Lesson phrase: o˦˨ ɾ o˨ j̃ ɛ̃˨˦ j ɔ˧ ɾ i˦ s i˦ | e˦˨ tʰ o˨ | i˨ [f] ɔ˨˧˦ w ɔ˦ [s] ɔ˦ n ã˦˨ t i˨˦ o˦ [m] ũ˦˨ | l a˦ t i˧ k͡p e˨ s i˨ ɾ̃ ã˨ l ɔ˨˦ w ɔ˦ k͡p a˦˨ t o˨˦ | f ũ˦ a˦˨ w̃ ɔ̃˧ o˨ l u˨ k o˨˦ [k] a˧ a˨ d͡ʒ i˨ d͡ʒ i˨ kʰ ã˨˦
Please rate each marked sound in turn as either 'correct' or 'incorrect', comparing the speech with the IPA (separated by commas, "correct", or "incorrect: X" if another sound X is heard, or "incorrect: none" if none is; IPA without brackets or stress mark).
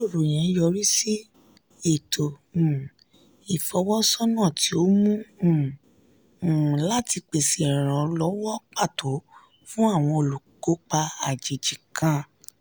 correct, correct, correct, incorrect: k͡p